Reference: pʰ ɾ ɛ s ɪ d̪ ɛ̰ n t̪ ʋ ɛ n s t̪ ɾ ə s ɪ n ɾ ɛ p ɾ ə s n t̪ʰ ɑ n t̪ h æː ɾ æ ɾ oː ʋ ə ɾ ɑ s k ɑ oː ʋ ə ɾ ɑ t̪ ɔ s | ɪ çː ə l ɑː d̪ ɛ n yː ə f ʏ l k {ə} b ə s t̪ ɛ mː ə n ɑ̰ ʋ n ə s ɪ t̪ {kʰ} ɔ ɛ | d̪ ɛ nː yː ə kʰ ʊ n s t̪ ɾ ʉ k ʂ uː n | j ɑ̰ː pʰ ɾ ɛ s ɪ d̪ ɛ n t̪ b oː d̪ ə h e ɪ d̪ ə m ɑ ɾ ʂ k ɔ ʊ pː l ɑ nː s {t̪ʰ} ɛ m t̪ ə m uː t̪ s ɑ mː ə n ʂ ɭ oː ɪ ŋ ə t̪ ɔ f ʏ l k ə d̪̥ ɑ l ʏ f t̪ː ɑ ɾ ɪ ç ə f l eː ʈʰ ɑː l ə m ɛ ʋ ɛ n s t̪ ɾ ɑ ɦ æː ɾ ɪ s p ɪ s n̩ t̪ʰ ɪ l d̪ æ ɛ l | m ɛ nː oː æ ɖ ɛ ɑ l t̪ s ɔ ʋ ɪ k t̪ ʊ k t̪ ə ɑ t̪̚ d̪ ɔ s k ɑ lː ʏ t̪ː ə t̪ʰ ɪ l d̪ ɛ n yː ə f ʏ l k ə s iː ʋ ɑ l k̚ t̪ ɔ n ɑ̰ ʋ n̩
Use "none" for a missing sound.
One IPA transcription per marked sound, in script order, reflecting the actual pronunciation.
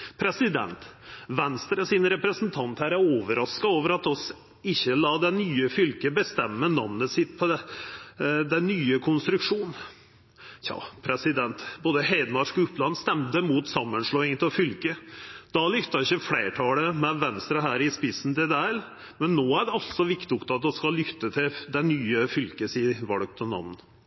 ə, pʰ, t̪

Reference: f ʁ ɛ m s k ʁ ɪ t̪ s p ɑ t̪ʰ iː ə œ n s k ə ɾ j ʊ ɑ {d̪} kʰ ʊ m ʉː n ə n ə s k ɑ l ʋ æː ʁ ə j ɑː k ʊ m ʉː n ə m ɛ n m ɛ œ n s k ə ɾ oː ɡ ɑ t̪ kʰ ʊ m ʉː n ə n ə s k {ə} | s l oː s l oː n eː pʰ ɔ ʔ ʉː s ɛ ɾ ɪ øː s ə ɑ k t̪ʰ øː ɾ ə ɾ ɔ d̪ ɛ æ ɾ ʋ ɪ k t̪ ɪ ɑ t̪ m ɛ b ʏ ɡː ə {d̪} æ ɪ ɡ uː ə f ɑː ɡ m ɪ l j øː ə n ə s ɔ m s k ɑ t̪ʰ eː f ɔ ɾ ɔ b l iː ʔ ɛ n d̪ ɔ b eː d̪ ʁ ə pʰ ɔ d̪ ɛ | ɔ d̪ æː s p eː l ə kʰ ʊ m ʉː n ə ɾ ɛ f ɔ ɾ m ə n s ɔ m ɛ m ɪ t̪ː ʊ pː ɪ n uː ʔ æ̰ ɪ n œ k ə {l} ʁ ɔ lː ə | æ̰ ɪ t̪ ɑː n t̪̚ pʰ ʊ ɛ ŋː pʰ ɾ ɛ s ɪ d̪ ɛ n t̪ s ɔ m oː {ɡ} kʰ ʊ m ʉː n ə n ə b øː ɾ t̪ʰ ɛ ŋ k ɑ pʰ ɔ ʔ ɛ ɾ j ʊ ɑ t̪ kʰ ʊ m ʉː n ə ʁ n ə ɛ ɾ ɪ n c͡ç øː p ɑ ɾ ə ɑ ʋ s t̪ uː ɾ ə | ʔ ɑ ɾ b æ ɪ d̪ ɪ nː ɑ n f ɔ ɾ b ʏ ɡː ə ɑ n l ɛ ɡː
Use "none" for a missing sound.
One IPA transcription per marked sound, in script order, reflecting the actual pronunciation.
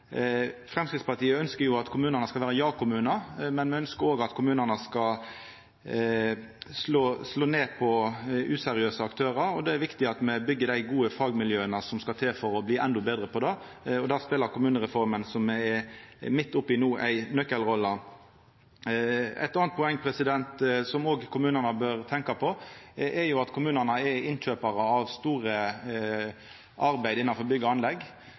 t̪, ɑ, d̪, l, ɡ

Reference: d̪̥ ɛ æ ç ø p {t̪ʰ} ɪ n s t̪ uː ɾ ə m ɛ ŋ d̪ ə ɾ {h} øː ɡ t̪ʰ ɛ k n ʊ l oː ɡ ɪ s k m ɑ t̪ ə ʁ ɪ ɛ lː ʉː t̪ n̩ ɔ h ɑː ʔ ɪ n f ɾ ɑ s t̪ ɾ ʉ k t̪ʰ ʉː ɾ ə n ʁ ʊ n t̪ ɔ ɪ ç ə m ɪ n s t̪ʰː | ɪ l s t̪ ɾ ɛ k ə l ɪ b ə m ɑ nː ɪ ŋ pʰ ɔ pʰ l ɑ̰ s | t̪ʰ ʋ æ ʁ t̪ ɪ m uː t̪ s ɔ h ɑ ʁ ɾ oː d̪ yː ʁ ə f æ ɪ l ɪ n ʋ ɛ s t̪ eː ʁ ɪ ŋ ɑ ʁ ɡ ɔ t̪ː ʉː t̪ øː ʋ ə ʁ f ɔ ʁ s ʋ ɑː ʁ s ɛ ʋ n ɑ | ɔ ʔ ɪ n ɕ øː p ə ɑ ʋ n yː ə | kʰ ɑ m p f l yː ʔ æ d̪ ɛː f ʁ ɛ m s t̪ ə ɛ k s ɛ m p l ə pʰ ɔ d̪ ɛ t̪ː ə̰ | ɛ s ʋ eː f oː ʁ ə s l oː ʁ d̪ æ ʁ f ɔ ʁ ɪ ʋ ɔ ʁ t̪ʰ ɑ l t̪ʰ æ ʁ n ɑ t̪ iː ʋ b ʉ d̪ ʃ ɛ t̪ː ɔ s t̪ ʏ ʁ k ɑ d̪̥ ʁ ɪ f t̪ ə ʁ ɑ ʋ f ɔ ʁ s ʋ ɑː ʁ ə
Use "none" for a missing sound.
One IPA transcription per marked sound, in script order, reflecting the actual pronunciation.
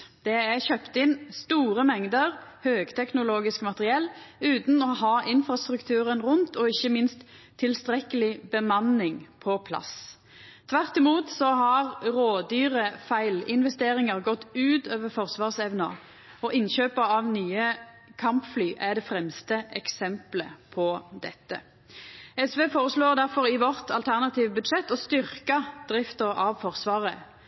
t̪, h

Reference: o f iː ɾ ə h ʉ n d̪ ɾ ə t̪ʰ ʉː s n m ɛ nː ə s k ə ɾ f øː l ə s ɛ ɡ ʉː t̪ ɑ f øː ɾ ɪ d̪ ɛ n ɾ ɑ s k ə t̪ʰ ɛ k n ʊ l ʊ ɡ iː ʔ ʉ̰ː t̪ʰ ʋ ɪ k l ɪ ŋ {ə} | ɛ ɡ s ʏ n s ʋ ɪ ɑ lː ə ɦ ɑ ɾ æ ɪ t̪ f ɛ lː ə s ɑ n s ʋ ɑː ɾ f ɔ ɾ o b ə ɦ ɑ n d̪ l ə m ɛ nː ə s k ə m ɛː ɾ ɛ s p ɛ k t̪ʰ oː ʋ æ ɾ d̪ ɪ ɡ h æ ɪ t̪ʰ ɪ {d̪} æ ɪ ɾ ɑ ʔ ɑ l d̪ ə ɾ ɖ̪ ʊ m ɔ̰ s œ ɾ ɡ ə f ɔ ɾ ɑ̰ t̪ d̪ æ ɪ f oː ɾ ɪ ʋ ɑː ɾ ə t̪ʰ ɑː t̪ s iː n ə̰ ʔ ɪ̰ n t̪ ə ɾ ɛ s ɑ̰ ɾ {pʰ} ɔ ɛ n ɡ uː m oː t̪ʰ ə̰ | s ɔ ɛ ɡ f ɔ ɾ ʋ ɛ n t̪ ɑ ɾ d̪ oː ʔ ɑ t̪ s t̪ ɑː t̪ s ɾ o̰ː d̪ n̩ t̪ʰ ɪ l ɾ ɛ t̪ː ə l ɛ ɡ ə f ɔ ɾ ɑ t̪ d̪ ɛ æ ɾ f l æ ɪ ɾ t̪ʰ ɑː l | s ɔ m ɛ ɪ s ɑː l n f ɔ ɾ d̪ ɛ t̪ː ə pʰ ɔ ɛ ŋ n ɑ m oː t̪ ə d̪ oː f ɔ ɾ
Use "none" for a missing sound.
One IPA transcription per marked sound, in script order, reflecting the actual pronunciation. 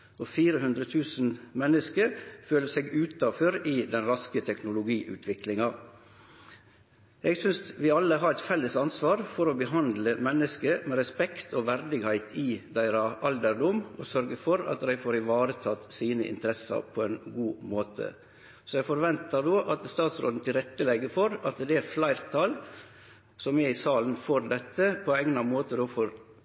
ɑ, d̪, pʰ

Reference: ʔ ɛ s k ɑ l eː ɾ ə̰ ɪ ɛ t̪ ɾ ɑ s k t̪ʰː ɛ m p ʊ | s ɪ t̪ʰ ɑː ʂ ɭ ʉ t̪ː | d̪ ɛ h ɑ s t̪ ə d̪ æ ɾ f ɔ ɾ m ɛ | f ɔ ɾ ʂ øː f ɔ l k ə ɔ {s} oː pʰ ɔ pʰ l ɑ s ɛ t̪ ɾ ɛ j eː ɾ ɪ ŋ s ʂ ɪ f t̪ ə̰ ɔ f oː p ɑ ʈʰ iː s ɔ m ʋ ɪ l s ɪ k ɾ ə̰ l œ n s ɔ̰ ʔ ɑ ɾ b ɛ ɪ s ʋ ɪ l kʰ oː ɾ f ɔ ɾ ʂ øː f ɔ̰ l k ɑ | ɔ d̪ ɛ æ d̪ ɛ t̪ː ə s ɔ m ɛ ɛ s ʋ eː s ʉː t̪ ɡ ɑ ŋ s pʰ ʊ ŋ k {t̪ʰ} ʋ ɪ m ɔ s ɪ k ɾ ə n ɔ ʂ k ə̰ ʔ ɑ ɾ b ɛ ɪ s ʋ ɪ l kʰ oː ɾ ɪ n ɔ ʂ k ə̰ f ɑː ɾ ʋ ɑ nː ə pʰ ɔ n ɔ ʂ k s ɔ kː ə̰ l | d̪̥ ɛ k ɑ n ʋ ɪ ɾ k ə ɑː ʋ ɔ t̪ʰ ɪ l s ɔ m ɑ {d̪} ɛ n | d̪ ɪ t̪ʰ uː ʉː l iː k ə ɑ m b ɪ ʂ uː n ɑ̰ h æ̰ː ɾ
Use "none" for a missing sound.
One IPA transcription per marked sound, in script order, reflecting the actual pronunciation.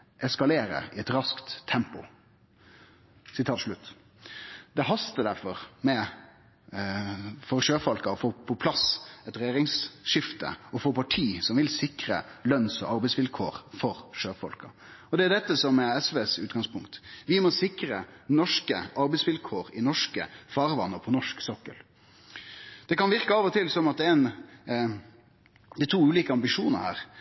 f, t̪, t̪

